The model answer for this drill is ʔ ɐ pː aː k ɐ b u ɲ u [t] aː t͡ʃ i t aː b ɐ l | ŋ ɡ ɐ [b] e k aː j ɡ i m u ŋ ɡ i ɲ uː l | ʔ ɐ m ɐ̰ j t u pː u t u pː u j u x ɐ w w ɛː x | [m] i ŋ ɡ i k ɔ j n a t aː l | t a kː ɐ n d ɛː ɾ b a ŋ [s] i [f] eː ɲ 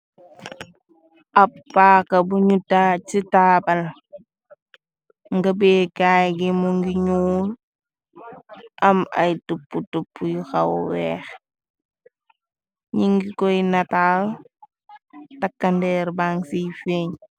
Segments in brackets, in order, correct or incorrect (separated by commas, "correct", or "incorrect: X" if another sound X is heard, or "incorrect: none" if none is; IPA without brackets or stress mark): correct, correct, incorrect: ɲ, correct, correct